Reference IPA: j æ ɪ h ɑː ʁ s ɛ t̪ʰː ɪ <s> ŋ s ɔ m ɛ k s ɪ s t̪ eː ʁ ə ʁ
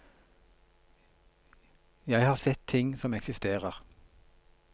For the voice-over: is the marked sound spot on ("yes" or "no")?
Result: no